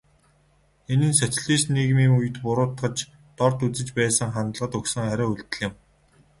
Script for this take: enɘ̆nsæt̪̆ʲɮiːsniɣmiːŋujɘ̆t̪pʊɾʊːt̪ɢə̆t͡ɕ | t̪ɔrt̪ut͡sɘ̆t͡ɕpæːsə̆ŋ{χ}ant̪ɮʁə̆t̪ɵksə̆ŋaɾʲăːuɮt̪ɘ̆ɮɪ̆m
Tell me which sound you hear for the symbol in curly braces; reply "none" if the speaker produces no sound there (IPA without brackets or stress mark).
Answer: χ